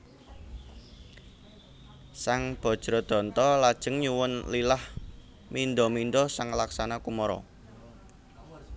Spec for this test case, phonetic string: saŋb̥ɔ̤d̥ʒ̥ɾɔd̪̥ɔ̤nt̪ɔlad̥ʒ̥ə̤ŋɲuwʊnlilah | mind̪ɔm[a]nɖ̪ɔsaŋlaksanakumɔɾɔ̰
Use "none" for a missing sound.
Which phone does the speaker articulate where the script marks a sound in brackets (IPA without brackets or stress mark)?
i